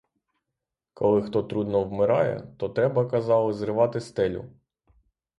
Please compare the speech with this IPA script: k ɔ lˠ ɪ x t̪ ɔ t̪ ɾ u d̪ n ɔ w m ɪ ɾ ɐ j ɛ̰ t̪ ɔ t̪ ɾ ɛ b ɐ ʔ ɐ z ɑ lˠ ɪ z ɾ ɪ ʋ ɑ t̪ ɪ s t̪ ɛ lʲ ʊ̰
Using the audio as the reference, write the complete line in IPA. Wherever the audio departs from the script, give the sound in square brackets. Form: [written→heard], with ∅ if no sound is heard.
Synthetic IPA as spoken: k ɔ lˠ ɪ x t̪ ɔ t̪ ɾ u d̪ n ɔ w m ɪ ɾ [ɐ→ɑ] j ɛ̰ t̪ ɔ t̪ ɾ ɛ b ɐ [ʔ→k] ɐ z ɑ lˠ ɪ z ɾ ɪ ʋ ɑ t̪ ɪ s t̪ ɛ lʲ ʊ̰